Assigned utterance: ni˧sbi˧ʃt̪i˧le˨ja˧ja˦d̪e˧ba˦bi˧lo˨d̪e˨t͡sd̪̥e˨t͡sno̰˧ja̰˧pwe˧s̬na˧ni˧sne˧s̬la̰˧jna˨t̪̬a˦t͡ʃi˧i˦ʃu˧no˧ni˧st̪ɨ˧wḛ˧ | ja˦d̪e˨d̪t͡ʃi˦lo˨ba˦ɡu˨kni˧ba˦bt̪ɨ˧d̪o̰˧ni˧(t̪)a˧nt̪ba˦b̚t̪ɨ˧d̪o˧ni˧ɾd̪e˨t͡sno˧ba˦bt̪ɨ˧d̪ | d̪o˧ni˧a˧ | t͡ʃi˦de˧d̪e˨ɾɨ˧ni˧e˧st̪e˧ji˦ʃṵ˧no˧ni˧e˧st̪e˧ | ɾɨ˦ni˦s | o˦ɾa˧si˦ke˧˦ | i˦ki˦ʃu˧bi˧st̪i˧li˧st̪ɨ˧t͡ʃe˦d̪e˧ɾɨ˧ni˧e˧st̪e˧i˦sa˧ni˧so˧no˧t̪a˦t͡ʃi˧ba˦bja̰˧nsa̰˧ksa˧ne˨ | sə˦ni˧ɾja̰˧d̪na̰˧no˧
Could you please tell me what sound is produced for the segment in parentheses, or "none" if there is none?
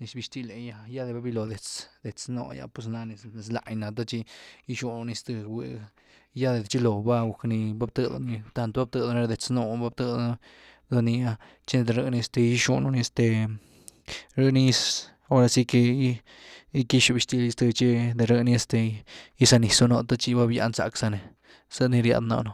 t̪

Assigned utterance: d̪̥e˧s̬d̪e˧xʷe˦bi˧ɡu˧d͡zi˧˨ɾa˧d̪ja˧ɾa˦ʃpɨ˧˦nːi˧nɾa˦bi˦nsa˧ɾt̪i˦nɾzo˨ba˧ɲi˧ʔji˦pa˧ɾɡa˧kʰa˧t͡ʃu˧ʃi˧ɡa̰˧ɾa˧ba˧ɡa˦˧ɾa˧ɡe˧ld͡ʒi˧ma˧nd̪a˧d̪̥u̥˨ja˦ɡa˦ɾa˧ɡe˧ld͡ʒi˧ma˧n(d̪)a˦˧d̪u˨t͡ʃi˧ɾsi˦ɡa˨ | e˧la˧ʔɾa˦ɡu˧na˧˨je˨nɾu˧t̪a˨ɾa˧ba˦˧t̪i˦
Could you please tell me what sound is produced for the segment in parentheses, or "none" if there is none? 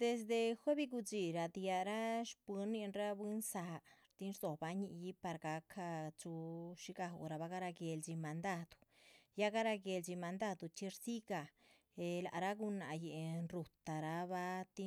d̪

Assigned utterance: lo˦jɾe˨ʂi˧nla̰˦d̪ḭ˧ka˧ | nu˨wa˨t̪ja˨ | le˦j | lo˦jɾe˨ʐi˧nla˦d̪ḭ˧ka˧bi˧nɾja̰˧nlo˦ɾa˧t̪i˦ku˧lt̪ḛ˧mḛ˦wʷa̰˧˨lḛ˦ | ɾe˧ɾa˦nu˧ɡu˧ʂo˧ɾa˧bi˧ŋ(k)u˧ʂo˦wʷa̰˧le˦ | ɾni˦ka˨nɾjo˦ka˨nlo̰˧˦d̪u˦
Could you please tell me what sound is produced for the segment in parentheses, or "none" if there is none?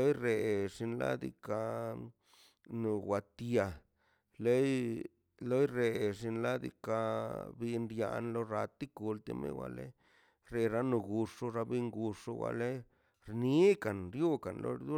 ɡ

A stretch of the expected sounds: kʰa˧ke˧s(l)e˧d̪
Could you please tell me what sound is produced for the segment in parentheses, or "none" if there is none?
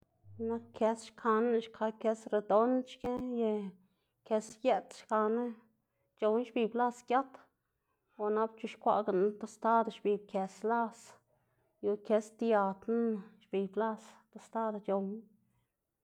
ɾ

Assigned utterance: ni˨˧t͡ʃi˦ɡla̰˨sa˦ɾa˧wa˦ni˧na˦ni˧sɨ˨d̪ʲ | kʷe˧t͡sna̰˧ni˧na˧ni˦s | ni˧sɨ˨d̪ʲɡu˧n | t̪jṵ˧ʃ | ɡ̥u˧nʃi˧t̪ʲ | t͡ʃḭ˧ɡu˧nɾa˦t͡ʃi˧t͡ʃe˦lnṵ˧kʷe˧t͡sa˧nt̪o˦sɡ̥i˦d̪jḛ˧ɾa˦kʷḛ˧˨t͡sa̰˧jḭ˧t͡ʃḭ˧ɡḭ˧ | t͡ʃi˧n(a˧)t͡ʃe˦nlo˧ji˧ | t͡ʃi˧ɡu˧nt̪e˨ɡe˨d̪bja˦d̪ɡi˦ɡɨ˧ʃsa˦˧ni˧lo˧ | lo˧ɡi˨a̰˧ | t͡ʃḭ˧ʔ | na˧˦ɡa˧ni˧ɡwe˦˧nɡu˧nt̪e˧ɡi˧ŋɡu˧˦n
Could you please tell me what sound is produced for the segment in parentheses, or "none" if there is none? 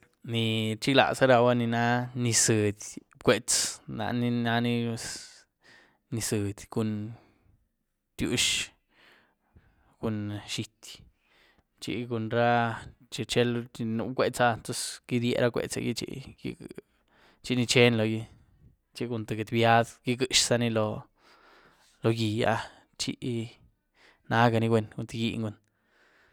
i˧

